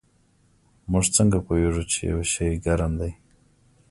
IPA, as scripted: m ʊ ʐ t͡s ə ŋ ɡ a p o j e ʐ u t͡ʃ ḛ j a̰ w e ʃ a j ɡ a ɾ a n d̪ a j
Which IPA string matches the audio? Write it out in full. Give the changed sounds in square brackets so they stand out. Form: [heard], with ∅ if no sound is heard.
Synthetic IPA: m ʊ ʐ t͡s ə ŋ ɡ a p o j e ʐ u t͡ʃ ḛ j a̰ w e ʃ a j ɡ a ɾ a [m] d̪ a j